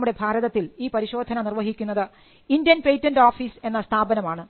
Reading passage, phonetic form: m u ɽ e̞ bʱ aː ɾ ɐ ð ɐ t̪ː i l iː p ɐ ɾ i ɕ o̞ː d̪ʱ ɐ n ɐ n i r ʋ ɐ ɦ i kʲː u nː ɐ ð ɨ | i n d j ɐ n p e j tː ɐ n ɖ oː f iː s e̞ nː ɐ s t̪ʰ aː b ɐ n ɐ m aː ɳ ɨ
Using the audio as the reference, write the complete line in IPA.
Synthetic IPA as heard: m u ɽ e̞ bʱ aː ɾ ɐ ð ɐ t̪ː i l iː p ɐ ɾ i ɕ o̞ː d̪ʱ ɐ n ɐ n i r ʋ ɐ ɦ i kʲː u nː ɐ ð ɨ | i n d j ɐ n p e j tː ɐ n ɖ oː f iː s e̞ nː ɐ s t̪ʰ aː b ɐ n ɐ m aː ɳ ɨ